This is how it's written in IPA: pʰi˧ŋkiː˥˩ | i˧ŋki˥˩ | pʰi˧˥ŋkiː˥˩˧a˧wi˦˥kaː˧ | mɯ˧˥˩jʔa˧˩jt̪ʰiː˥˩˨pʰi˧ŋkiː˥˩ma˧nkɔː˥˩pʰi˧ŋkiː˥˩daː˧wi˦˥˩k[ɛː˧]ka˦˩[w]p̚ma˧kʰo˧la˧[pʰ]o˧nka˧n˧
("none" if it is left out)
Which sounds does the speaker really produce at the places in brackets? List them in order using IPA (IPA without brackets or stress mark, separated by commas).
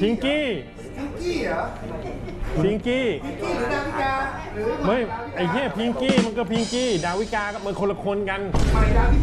aː˧, none, kʰ